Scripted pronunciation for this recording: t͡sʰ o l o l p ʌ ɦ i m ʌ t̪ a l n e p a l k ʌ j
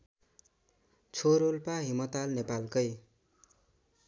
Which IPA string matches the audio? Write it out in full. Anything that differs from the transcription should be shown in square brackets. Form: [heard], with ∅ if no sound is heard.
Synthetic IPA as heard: t͡sʰ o [ɾ] o l p [a] ɦ i m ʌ t̪ a l n e p a l k ʌ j

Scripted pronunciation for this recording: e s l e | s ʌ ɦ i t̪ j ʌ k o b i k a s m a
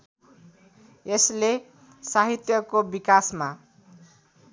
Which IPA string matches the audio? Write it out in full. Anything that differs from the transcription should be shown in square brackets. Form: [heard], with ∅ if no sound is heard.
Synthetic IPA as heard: e s l e | s [a] ɦ i t̪ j ʌ k o b i k a s m a

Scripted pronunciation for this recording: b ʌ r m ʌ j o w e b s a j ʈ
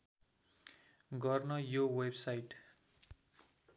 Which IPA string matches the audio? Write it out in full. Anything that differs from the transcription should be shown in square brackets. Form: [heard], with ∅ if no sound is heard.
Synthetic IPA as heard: [ɡ] ʌ r [n] ʌ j o w e b s a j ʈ

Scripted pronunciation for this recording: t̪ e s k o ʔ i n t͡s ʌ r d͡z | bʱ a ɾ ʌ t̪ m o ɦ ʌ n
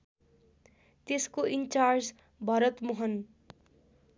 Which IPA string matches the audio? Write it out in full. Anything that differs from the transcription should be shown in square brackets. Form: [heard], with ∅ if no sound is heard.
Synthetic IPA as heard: t̪ e s k o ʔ i n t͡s [a] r d͡z | bʱ [ʌ] ɾ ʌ t̪ m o ɦ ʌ n

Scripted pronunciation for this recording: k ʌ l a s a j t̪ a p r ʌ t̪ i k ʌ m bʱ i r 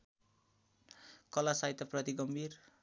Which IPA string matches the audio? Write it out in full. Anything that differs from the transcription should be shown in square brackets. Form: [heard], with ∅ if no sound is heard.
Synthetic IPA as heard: k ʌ l a s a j t̪ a p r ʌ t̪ i [ɡ] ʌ m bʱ i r

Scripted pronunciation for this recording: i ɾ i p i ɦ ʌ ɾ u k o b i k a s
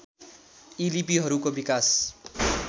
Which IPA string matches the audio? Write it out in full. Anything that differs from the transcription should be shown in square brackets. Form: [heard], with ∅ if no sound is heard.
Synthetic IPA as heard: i [l] i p i ɦ ʌ ɾ u k o b i k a s

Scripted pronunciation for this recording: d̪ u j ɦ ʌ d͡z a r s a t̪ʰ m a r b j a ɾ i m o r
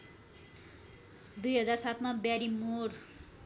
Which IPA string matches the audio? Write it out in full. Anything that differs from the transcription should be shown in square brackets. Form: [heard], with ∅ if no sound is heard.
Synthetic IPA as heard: d̪ u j ɦ ʌ d͡z a r s a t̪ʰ m a [∅] b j a ɾ i m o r

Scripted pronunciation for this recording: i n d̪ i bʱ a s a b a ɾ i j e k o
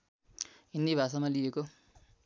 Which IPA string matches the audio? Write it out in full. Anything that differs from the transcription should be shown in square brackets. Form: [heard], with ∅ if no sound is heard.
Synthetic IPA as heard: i n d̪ i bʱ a s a [m] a [l] i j e k o

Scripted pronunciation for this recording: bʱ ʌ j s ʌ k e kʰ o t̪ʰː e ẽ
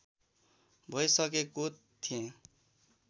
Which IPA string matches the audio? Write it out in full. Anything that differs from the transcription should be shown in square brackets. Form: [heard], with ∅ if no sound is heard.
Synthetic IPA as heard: bʱ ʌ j s ʌ k e [k] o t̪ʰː [i] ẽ

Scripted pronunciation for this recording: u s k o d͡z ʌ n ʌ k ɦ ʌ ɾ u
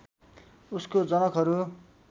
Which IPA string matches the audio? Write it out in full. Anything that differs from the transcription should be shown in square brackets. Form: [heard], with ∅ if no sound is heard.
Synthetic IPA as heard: u s k o d͡z ʌ n ʌ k ɦ ʌ ɾ u

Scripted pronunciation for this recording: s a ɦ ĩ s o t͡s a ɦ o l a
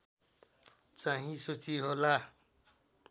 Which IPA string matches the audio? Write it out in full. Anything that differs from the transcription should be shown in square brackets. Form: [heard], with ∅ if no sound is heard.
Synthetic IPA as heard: [t͡s] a ɦ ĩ s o t͡s [i] ɦ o l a

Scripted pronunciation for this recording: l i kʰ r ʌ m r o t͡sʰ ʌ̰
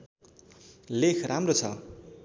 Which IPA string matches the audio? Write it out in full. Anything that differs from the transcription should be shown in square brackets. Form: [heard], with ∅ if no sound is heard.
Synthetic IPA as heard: l [e] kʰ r [a] m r o t͡sʰ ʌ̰

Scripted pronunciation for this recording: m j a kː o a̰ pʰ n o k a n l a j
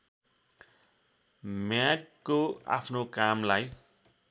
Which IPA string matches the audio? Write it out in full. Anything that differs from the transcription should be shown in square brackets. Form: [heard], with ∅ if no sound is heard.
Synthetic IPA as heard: m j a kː o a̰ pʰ n o k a [m] l a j

